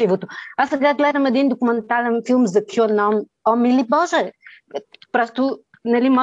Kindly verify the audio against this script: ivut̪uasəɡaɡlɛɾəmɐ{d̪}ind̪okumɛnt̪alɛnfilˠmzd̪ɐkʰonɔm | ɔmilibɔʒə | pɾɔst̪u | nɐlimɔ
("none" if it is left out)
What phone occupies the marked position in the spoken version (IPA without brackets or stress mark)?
d̪